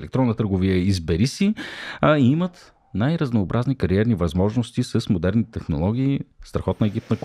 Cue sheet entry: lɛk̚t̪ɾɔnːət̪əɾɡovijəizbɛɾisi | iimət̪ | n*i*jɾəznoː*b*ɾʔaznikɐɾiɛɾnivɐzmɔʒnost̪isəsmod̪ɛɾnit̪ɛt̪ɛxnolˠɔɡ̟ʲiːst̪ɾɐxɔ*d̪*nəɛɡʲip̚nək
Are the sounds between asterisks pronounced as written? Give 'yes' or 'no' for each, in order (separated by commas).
no, yes, no